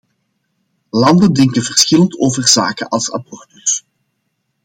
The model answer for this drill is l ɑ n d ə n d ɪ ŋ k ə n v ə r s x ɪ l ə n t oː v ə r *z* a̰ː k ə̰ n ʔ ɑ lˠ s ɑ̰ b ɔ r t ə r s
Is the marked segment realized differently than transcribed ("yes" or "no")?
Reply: no